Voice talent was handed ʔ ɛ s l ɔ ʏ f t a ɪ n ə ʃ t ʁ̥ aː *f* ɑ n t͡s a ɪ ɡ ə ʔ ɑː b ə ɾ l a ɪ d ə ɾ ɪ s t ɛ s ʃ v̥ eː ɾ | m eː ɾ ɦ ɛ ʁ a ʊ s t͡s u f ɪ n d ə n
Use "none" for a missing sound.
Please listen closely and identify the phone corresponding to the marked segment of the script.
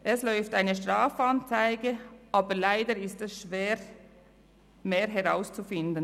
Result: f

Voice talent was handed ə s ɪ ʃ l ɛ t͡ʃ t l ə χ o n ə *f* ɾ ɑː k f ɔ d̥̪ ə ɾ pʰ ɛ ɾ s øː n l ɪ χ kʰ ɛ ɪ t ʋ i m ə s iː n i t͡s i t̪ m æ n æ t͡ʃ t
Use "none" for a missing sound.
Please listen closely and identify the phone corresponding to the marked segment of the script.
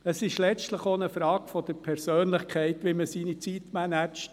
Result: f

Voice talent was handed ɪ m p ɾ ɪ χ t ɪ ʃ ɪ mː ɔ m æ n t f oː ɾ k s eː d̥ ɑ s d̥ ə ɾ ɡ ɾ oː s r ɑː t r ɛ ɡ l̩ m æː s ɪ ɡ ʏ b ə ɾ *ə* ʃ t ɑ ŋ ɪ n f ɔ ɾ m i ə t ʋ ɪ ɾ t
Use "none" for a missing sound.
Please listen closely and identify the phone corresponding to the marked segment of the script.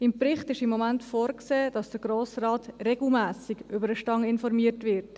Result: ə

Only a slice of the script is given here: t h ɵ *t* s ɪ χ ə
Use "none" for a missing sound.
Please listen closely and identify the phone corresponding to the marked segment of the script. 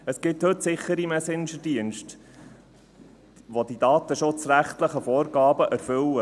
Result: t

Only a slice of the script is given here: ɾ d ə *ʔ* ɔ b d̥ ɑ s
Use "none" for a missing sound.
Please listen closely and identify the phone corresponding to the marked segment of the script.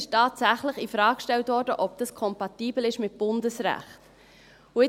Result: ʔ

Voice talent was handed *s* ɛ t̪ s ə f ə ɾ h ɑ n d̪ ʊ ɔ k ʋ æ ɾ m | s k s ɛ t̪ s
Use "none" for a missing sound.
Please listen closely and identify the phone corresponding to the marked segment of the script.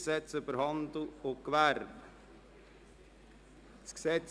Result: s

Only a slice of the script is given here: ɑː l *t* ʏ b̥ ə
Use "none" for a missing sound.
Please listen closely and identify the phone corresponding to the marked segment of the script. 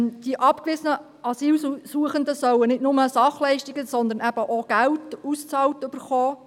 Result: t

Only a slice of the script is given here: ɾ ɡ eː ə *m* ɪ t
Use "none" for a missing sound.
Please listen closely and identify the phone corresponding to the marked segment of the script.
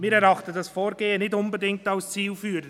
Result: n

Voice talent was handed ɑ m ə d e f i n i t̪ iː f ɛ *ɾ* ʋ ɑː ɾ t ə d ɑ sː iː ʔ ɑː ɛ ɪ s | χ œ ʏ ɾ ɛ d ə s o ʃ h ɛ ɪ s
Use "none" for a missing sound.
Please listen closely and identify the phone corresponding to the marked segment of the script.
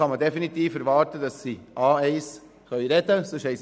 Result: ɾ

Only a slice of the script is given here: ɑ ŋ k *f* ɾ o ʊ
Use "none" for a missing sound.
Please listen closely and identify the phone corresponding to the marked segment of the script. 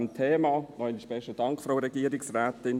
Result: f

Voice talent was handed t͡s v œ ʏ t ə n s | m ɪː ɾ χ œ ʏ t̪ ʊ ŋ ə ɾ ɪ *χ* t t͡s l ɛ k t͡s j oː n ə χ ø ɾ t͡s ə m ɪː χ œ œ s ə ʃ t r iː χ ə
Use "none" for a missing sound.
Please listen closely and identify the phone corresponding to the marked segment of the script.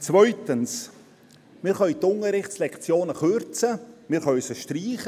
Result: χ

